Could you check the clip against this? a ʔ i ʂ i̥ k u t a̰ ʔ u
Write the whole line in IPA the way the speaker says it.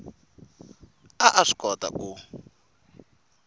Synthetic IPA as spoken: a ʔ a ʂ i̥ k ɔ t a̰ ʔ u